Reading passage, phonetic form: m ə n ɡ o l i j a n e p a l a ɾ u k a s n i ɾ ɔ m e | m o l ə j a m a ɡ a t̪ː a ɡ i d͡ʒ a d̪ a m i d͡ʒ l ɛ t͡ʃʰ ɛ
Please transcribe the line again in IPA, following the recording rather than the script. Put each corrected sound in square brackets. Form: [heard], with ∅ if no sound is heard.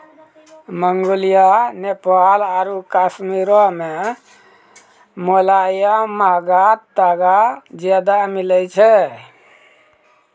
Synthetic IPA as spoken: m ə [ŋ] ɡ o l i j a n e p a l a ɾ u k a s [m] i ɾ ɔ m e | m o l [a] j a m a ɡ a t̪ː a ɡ [a] d͡ʒ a d̪ a m i [∅] l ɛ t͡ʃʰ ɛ